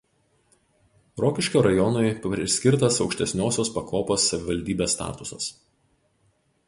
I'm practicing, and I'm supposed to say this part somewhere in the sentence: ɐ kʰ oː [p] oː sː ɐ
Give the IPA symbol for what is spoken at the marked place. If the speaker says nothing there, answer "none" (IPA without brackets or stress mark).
p